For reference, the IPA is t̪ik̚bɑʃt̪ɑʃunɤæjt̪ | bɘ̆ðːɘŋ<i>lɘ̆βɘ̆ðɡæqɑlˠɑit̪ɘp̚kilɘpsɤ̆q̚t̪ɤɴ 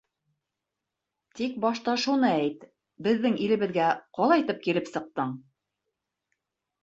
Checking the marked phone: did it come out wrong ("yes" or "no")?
no